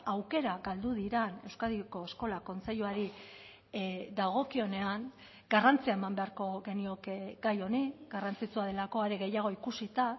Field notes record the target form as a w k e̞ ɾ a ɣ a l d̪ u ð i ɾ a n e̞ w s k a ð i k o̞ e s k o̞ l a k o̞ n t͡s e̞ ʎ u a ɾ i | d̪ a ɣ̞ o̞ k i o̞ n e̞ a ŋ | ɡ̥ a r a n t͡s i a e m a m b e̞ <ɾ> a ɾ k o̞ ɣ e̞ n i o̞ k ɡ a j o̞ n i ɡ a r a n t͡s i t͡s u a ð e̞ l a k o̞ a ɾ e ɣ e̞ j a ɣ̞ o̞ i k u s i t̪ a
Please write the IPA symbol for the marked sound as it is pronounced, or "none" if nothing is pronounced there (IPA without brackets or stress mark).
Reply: none